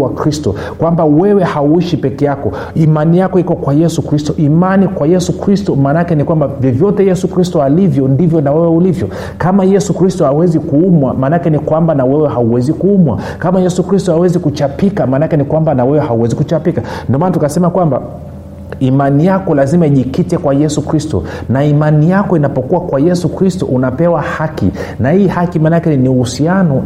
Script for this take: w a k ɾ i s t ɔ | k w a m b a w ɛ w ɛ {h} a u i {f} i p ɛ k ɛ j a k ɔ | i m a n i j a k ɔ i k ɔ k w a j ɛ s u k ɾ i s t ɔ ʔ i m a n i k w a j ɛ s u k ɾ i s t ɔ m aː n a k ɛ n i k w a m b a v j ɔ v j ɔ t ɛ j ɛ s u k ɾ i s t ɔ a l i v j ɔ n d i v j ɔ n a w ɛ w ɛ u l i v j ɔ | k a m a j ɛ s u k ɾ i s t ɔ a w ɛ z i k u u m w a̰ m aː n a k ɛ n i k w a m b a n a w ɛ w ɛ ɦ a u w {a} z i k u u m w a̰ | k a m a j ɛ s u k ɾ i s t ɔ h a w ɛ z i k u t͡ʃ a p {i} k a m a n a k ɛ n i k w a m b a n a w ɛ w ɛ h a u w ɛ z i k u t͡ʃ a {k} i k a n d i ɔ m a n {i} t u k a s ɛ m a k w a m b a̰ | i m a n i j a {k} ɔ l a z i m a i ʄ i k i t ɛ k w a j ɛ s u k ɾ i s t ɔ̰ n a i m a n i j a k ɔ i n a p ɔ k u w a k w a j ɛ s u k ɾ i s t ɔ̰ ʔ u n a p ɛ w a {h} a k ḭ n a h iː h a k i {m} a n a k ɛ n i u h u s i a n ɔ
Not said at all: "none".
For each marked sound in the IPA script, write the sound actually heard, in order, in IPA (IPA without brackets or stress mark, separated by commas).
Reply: h, ʃ, ɛ, i, p, a, k, h, m